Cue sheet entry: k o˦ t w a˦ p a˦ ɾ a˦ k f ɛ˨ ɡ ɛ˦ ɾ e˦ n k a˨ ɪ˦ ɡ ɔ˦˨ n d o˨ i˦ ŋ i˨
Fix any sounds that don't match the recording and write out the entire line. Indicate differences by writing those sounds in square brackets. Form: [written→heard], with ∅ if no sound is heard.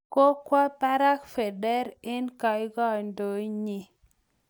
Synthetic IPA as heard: k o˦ [t→k] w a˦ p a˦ ɾ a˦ k f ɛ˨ [ɡ→d] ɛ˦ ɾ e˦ n k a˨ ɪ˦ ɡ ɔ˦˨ n d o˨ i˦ [ŋ→ɲ] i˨